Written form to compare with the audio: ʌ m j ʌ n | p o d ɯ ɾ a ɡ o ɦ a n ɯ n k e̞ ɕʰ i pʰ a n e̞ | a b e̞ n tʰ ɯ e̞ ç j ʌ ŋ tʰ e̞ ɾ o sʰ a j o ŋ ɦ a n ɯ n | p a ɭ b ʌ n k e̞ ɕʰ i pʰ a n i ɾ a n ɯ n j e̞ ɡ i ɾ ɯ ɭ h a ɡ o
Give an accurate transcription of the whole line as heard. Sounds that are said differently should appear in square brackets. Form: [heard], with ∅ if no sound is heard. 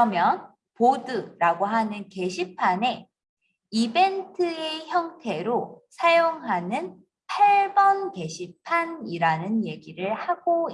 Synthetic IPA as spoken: ʌ m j ʌ n | p o d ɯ ɾ a ɡ o ɦ a n ɯ n k e̞ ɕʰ i pʰ a n e̞ | [i] b e̞ n tʰ ɯ e̞ ç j ʌ ŋ tʰ e̞ ɾ o sʰ a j o ŋ ɦ a n ɯ n | [pʰ] a ɭ b ʌ n k e̞ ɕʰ i pʰ a n i ɾ a n ɯ n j e̞ ɡ i ɾ ɯ ɭ h a ɡ o